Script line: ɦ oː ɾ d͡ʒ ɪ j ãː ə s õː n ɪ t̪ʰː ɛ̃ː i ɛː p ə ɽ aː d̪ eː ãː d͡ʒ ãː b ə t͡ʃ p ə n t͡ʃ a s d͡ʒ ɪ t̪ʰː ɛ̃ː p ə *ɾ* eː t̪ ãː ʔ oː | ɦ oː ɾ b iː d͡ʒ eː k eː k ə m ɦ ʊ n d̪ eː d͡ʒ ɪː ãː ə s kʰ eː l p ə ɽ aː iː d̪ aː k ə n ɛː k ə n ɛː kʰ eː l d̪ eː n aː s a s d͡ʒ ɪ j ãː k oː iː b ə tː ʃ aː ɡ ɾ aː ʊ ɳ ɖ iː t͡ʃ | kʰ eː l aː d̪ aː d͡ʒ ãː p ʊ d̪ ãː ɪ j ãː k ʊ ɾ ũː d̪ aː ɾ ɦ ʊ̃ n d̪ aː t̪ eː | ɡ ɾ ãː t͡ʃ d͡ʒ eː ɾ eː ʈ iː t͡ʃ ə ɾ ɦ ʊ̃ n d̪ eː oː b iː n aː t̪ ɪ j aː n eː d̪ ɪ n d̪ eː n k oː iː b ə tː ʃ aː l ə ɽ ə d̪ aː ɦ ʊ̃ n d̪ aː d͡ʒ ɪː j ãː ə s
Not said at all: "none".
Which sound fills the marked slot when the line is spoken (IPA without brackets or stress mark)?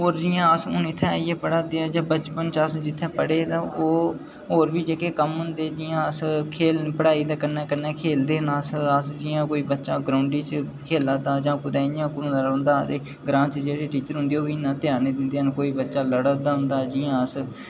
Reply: ɽ